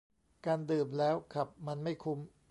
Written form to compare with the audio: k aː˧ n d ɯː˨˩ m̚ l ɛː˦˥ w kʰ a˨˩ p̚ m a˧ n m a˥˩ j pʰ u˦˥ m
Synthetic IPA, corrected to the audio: k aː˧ n d ɯː˨˩ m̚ l ɛː˦˥ w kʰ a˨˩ p̚ m a˧ n m a˥˩ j kʰ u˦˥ m